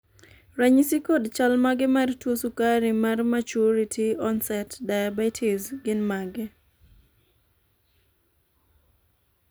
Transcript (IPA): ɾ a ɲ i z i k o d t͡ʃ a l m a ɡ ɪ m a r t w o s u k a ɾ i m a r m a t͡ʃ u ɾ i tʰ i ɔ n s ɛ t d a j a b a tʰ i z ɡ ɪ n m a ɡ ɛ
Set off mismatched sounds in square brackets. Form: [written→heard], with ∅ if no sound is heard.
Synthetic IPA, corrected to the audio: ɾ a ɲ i [z→s] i k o d t͡ʃ a l m a ɡ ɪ m a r t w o s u k a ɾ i m a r m a t͡ʃ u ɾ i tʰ i ɔ n s ɛ t d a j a b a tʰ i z ɡ ɪ n m a ɡ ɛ